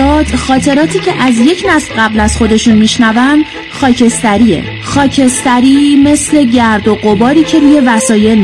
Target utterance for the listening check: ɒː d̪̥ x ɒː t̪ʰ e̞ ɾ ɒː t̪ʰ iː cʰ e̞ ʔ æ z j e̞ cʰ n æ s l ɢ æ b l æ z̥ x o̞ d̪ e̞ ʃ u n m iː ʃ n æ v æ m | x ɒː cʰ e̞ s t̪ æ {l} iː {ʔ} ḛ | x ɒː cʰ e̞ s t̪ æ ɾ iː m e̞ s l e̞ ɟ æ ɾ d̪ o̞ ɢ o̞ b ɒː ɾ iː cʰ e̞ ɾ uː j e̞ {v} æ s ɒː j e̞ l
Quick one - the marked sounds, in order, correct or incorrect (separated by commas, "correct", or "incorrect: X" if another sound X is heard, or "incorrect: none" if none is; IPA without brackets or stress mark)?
incorrect: ɾ, incorrect: none, correct